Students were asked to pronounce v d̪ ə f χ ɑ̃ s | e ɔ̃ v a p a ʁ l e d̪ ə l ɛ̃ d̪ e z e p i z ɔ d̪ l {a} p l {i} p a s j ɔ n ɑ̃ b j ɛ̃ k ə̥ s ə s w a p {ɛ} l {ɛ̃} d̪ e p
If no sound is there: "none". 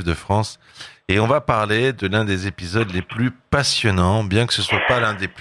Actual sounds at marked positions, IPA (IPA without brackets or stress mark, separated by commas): e, y, a, ɛ̃